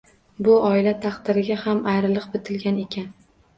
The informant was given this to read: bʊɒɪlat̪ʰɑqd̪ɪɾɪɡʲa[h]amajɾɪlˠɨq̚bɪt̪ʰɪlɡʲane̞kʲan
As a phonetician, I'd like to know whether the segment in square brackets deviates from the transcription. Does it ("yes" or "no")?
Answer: no